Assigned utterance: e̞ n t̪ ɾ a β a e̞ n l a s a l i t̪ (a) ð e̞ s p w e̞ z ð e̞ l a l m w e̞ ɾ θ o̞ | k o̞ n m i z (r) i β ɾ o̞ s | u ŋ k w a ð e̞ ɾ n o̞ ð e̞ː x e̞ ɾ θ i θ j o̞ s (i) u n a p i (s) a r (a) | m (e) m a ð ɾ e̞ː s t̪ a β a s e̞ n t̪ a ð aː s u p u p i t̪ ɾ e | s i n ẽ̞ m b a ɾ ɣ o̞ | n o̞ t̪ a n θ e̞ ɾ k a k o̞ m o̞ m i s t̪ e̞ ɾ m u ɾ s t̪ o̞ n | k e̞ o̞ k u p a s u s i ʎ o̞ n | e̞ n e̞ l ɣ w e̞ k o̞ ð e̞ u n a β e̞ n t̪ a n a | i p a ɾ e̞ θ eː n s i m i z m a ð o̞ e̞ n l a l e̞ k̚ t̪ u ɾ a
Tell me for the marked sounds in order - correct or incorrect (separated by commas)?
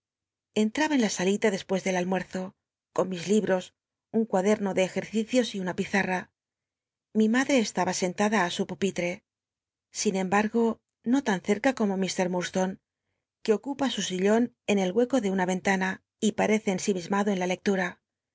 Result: correct, incorrect, correct, incorrect, correct, incorrect